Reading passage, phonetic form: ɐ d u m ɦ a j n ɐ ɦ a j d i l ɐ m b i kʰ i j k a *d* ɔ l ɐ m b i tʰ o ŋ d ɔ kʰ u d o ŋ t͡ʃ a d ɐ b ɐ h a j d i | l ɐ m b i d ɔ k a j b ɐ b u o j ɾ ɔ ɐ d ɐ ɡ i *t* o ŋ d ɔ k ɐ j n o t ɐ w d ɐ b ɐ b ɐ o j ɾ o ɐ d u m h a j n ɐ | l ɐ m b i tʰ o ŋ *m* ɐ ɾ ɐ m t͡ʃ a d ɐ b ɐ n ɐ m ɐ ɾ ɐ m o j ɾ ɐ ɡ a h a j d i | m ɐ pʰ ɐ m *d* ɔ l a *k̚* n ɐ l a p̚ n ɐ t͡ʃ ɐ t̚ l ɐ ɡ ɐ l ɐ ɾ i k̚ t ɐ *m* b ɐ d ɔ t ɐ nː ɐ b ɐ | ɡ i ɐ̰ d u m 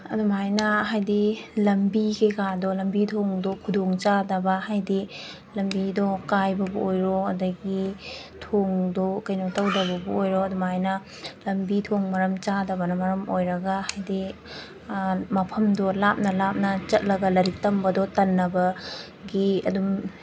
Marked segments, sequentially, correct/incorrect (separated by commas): correct, incorrect, correct, correct, incorrect, correct